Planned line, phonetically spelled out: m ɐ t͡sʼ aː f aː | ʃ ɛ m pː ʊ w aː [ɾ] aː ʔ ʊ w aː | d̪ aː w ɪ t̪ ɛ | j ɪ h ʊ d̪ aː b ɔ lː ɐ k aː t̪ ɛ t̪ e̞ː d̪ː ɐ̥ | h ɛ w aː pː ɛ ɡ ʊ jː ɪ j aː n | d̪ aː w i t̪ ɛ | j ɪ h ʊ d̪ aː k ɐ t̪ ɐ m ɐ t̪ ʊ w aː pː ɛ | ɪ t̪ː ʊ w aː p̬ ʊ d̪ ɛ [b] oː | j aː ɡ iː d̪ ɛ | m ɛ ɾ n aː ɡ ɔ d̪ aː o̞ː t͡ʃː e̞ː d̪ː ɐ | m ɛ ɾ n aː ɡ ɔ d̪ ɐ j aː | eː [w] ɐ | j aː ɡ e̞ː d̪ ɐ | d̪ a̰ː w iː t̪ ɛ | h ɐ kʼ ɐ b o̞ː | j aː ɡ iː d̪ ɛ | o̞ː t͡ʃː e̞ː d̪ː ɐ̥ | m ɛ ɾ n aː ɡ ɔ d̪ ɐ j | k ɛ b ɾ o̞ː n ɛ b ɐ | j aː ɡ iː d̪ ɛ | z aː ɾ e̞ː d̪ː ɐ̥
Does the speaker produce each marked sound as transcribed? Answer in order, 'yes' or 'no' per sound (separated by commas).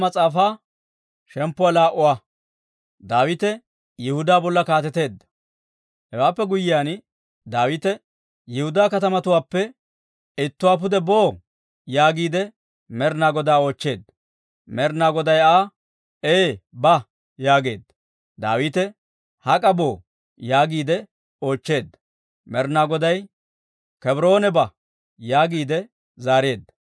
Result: no, yes, no